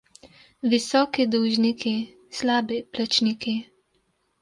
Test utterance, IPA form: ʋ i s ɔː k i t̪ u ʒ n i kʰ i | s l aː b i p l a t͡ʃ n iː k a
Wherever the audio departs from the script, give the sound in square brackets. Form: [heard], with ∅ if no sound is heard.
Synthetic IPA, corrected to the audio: ʋ i s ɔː k i [d̪] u ʒ n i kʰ i | s l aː b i p l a t͡ʃ n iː k [i]

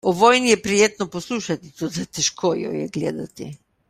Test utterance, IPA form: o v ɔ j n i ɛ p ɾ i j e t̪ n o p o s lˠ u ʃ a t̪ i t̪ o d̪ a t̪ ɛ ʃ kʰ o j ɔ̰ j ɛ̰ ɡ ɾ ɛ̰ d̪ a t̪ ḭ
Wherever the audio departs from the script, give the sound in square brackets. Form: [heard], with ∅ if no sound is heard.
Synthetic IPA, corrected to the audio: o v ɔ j n i ɛ p ɾ i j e t̪ n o p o s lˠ u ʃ a t̪ i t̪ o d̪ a t̪ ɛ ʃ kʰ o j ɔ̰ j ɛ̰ ɡ [l] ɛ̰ d̪ a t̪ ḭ

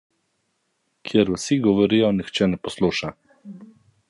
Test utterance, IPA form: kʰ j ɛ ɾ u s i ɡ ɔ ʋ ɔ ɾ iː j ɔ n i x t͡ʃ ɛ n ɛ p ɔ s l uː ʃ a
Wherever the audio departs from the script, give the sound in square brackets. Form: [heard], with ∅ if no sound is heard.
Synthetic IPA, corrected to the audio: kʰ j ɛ ɾ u s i ɡ ɔ ʋ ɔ ɾ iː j ɔ n i x t͡ʃ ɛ n ɛ p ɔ s l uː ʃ a

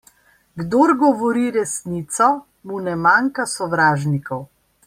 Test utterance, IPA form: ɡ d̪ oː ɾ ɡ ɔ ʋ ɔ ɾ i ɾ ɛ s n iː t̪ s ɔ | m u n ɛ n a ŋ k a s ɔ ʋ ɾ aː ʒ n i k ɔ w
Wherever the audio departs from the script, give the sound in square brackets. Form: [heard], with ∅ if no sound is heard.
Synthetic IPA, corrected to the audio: ɡ d̪ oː ɾ ɡ ɔ ʋ ɔ ɾ i ɾ ɛ s n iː t̪ s ɔ | m u n ɛ [m] a ŋ k a s ɔ ʋ ɾ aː ʒ n i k ɔ w

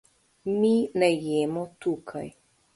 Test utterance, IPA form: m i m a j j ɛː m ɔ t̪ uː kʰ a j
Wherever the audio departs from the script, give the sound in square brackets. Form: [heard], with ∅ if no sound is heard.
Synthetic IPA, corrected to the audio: m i [n] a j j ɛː m ɔ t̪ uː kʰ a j

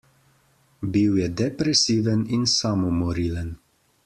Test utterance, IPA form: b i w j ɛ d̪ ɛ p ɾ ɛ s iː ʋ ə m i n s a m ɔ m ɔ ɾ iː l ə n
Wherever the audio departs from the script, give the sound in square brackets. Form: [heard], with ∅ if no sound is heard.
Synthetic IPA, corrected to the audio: b i w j ɛ d̪ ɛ p ɾ ɛ s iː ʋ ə [n] i n s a m ɔ m ɔ ɾ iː l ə n

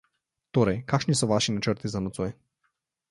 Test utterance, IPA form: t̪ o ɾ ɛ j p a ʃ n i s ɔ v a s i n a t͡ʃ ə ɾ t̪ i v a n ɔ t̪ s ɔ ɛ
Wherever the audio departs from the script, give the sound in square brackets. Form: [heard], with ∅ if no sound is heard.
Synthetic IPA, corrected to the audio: t̪ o ɾ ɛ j [k] a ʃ n i s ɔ v a [ʃ] i n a t͡ʃ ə ɾ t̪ i [z] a n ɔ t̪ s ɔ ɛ

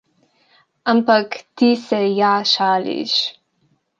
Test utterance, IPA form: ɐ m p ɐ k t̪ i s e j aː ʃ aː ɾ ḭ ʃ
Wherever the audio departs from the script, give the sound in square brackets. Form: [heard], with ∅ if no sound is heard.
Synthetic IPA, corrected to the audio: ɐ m p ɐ k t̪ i s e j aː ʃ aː [l] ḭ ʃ

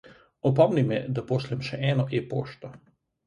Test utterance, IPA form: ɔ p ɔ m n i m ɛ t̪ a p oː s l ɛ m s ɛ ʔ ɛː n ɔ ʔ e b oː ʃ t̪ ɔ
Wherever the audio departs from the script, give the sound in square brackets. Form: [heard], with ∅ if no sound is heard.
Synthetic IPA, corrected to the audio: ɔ p ɔ m n i m ɛ [d̪] a p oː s l ɛ m [ʃ] ɛ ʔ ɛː n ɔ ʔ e [p] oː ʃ t̪ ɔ

